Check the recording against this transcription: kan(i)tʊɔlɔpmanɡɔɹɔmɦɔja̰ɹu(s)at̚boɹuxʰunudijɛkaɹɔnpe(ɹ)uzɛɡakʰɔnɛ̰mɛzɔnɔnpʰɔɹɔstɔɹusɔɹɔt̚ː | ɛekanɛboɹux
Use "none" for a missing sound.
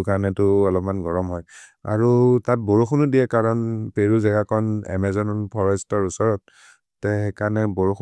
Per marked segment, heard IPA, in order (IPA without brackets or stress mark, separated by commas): ɛ, t, ɹ